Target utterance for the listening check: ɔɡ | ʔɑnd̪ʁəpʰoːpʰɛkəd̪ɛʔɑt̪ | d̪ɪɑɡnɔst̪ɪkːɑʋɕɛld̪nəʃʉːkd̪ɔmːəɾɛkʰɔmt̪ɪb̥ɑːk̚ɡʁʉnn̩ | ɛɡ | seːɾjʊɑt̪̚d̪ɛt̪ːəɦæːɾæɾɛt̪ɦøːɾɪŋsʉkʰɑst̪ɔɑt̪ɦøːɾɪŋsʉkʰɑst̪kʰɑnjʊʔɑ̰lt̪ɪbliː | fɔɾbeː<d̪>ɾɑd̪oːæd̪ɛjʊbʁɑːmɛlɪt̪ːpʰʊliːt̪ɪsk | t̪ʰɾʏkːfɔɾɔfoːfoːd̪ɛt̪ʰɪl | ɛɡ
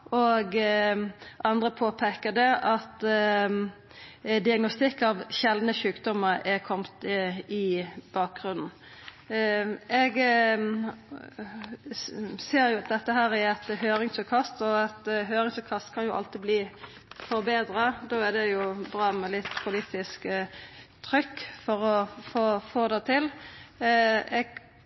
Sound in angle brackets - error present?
no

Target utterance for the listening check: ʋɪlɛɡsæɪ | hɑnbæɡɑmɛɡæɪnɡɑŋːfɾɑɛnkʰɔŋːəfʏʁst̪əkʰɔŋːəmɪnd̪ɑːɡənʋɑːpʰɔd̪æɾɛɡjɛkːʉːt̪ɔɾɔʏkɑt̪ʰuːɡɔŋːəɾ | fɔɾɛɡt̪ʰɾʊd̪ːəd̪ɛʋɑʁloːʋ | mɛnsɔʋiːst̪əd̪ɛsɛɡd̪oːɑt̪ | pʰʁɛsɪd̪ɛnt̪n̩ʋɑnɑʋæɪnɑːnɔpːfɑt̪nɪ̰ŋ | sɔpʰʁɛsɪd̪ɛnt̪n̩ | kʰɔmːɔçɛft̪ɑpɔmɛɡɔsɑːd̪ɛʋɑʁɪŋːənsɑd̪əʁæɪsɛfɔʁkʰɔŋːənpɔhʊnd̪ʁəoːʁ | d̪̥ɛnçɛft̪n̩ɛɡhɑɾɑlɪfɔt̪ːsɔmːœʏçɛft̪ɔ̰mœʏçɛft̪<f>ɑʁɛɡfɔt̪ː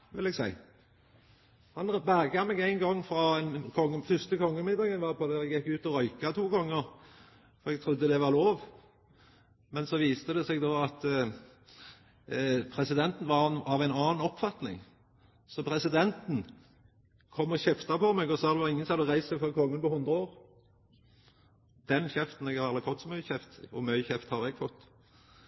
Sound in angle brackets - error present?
yes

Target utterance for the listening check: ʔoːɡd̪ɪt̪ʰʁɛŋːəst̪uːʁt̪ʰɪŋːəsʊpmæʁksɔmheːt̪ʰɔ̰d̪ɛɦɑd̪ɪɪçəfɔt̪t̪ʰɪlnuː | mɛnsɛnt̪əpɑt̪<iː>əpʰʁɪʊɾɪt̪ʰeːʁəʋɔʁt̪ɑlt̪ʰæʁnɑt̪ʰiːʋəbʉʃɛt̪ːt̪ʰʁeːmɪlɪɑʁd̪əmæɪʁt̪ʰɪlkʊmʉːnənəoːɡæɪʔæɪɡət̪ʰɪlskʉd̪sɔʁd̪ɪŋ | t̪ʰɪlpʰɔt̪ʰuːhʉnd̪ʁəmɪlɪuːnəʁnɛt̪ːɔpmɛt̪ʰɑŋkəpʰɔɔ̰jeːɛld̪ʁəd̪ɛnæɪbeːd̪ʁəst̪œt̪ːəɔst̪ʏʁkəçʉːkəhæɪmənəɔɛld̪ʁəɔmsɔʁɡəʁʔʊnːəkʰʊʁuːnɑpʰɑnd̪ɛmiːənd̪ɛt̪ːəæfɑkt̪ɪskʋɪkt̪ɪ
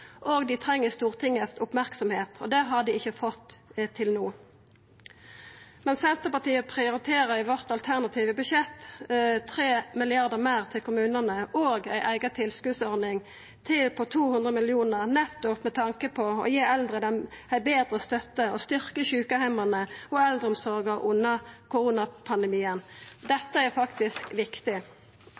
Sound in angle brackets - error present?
no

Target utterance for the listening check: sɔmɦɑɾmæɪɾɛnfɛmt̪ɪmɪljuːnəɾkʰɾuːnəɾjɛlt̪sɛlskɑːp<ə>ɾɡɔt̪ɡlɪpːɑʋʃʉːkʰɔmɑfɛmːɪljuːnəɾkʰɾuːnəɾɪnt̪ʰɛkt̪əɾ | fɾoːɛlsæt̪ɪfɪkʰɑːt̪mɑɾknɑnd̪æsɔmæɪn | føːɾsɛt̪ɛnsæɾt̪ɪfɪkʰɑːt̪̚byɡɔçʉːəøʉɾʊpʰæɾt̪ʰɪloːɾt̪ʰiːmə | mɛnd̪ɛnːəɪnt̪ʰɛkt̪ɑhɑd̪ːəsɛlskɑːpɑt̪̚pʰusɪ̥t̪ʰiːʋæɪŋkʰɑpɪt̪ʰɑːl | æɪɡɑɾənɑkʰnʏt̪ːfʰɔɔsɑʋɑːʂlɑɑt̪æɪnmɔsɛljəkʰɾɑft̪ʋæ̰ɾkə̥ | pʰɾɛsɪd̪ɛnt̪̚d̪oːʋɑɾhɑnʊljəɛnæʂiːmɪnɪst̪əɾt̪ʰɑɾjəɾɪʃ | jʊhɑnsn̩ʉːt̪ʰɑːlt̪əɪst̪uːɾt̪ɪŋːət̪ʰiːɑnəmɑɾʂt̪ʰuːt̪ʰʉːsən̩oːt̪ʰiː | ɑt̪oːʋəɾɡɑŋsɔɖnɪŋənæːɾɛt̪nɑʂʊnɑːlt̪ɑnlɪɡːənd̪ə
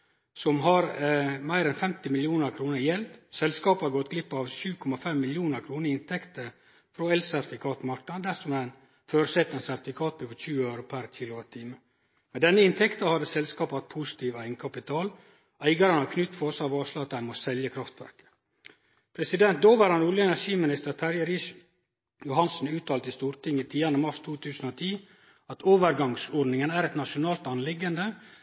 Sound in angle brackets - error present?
yes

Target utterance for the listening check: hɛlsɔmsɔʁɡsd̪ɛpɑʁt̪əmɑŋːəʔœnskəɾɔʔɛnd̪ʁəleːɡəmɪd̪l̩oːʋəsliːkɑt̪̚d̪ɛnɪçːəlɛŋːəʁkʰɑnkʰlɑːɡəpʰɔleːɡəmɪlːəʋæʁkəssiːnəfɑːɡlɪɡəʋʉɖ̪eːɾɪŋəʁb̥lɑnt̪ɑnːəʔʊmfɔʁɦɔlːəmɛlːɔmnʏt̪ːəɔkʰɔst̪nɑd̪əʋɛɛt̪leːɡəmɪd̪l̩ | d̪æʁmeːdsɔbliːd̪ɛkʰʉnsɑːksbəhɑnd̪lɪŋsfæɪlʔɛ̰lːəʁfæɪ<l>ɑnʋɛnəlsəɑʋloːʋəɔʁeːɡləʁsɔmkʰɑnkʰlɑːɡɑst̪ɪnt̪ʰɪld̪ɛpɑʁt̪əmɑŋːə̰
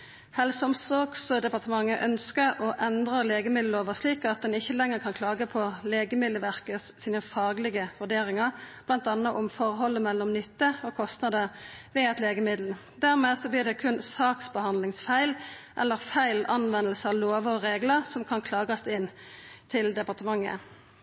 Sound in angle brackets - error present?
no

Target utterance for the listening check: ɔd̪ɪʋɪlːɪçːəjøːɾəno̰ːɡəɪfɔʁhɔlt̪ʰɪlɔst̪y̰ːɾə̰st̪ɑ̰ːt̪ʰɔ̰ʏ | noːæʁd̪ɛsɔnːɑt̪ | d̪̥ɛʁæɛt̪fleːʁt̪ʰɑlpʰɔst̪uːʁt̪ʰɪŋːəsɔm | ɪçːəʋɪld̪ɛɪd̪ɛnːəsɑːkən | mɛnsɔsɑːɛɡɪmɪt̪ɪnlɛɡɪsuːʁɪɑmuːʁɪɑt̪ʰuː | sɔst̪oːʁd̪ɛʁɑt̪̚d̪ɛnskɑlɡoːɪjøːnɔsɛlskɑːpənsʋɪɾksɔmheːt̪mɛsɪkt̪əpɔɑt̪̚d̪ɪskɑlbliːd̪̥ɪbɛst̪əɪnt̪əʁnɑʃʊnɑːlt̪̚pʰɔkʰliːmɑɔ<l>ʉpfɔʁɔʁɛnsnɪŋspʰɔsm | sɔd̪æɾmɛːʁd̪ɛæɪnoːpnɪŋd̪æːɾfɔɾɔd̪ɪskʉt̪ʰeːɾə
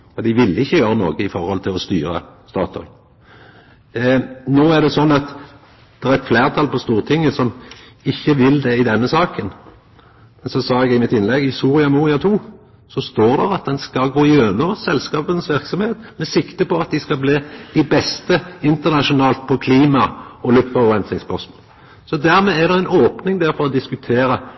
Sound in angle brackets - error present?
no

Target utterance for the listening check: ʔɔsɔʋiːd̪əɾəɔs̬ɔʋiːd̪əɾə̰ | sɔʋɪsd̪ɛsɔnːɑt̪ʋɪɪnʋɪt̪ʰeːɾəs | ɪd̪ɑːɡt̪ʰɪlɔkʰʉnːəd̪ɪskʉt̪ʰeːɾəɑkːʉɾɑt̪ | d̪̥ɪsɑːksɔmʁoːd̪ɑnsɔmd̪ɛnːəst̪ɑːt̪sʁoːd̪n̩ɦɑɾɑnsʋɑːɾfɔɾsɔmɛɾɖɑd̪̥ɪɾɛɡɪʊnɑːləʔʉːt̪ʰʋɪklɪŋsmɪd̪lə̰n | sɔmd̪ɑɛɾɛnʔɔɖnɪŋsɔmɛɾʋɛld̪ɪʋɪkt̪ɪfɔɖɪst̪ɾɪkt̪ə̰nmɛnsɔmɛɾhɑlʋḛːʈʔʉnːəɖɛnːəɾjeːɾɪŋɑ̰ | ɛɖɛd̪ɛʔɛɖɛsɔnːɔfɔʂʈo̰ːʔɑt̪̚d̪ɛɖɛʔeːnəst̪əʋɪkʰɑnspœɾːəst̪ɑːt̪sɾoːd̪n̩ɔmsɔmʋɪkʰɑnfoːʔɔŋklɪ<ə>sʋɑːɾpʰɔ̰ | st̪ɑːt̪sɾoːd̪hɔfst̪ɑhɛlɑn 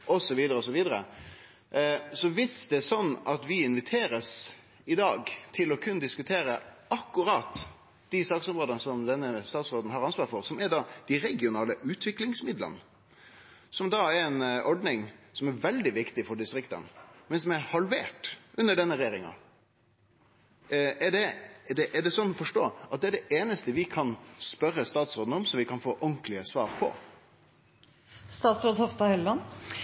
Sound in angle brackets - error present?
no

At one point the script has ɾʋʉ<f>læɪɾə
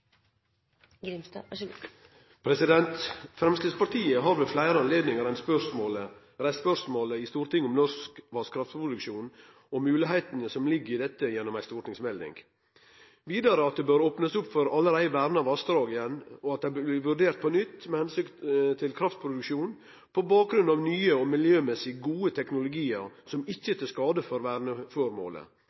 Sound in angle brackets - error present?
no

